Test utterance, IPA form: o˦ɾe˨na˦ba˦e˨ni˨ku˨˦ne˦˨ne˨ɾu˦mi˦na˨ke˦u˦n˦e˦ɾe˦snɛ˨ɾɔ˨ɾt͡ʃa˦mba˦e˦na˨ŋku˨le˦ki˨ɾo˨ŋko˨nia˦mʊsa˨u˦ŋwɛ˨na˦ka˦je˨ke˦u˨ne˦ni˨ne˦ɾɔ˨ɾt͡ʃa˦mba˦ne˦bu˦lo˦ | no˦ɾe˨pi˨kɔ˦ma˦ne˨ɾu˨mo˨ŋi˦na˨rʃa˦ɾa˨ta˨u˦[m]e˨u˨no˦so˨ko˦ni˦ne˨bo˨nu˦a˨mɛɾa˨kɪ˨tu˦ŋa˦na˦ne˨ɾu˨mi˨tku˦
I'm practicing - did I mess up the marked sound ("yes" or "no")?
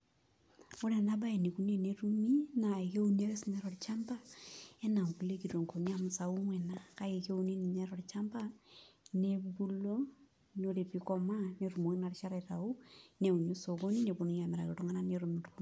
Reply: yes